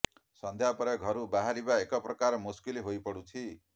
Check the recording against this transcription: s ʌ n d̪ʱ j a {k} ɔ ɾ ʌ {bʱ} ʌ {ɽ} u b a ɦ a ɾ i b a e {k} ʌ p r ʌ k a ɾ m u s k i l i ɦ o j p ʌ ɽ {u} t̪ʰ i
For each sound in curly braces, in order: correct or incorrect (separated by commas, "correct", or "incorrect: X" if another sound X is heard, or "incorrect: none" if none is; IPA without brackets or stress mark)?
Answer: incorrect: p, incorrect: ɡʱ, incorrect: ɾ, correct, correct